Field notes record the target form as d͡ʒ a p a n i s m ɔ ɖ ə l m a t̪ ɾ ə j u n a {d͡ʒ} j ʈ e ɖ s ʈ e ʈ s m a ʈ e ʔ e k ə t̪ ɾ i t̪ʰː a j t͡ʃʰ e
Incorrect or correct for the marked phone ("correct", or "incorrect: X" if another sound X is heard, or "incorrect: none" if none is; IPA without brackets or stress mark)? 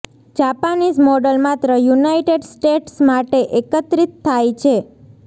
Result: incorrect: none